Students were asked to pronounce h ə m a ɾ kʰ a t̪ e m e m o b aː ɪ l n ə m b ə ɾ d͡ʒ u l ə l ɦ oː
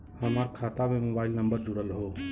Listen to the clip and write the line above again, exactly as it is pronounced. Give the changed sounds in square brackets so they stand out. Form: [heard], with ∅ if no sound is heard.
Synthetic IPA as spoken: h ə m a ɾ kʰ a t̪ [a] m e m o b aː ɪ l n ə m b ə ɾ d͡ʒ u [ɽ] ə l ɦ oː